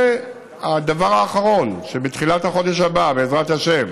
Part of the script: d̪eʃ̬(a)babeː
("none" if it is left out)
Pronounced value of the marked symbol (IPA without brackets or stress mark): a